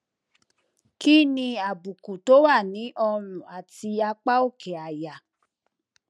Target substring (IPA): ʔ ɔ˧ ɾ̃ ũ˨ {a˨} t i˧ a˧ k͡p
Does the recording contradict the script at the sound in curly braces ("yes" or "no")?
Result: no